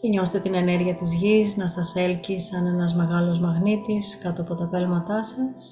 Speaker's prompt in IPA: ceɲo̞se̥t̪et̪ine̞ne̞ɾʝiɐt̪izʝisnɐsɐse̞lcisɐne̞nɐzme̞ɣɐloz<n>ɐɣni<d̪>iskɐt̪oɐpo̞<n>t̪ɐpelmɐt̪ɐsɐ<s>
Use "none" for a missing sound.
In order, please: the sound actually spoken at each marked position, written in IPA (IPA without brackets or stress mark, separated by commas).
m, t̪, none, s